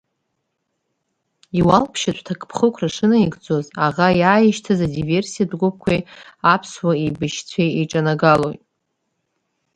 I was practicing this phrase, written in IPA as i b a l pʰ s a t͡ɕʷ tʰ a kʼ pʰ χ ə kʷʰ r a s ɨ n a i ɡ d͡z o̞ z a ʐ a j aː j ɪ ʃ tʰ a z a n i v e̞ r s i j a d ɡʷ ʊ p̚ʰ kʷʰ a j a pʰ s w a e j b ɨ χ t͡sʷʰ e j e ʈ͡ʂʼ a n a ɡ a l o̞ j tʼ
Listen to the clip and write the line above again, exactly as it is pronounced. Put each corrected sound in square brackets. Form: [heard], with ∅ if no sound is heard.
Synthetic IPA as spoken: i [w] a l pʰ [ʃ] a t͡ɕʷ tʰ a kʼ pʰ χ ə kʷʰ r a [ʂ] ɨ n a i ɡ d͡z o̞ z a [ʁ] a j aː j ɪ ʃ tʰ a z a [d] i v e̞ r s i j a d ɡʷ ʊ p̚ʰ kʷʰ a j a pʰ s w a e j b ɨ [ʃ] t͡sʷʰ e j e ʈ͡ʂʼ a n a ɡ a l o̞ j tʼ